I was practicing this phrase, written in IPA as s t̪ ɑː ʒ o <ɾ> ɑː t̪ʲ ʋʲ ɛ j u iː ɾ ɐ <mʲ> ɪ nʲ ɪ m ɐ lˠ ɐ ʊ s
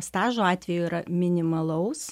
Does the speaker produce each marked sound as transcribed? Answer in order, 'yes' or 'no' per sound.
no, yes

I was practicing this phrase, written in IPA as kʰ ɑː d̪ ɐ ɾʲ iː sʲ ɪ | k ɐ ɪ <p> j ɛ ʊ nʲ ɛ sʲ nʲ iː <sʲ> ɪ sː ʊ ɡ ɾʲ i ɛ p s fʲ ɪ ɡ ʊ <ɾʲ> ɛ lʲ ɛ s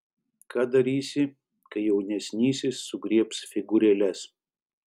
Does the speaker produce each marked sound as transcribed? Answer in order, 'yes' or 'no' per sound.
no, yes, yes

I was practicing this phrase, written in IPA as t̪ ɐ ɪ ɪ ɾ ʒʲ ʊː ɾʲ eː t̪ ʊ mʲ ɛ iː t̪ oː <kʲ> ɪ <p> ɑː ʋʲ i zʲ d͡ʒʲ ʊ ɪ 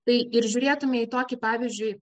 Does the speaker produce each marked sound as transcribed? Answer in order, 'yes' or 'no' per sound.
yes, yes

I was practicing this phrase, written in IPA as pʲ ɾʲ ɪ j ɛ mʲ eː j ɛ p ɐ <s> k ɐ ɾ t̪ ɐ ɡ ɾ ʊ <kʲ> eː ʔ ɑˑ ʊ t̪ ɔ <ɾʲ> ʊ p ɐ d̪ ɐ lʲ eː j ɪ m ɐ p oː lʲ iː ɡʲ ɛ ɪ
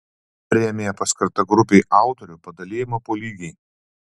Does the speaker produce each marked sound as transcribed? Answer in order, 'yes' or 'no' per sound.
yes, no, yes

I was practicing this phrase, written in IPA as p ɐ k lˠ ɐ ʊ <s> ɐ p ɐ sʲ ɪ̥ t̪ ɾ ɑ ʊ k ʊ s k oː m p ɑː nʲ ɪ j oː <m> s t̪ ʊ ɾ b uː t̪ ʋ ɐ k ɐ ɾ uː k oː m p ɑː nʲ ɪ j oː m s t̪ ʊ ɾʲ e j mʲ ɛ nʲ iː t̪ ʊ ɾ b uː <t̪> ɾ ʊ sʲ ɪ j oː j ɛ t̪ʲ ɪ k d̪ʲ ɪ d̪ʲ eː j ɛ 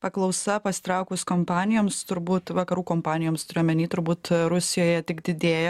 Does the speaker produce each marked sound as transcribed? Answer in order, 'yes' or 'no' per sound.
yes, yes, yes

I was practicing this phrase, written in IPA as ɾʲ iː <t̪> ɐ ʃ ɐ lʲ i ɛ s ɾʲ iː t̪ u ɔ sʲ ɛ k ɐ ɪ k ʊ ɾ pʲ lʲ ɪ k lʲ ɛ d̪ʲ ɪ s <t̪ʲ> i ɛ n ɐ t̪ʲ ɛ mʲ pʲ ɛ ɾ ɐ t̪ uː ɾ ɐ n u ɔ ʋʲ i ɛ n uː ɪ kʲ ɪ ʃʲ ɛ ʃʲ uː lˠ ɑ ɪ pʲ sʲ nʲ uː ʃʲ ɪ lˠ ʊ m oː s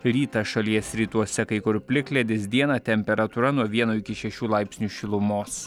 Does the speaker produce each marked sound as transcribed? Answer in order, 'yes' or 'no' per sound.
yes, no

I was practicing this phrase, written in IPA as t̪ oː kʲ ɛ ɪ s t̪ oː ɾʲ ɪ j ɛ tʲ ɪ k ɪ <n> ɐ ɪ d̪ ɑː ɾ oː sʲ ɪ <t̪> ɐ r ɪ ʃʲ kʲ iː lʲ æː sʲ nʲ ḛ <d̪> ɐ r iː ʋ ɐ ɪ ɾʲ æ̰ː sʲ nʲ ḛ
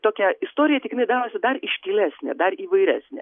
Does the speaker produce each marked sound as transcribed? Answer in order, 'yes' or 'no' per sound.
yes, no, yes

